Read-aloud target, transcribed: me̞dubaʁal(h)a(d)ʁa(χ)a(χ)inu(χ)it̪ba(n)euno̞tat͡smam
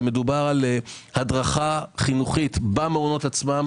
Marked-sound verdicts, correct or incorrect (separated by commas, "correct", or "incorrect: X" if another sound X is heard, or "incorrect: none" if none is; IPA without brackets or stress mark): correct, correct, correct, correct, correct, incorrect: m